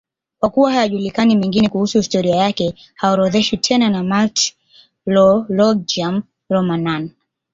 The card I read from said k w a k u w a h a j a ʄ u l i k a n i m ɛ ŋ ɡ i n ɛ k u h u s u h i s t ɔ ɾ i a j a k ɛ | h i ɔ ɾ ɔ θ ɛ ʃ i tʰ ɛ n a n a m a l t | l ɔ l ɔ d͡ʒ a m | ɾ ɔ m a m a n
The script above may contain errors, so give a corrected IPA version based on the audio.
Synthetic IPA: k w a k u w a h a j a ʄ u l i k a n i m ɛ ŋ ɡ i n ɛ k u h u s u h i s t ɔ ɾ i a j a k ɛ | h a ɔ ɾ ɔ ð ɛ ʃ i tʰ ɛ n a n a m a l t | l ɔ l ɔ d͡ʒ a m | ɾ ɔ m a n a n